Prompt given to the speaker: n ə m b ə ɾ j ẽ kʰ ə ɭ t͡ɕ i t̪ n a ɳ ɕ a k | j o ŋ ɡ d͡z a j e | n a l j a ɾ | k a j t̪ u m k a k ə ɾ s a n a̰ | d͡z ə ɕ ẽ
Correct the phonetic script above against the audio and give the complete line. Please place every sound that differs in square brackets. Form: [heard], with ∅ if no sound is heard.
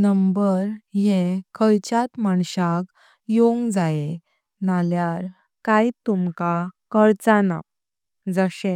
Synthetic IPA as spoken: n ə m b ə ɾ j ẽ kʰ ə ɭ t͡ɕ [a] t̪ [m] a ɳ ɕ a k | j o ŋ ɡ d͡z a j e | n a l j a ɾ | k a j t̪ u m k a k ə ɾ [t͡s] a n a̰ | d͡z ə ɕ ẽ